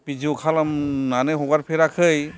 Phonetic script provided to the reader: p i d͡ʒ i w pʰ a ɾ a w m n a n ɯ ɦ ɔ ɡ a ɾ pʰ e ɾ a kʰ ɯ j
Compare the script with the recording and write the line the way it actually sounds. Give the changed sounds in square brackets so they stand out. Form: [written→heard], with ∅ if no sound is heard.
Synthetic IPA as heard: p i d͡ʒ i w [pʰ→kʰ] a [ɾ→l] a [w→∅] m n a n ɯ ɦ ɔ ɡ a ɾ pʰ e ɾ a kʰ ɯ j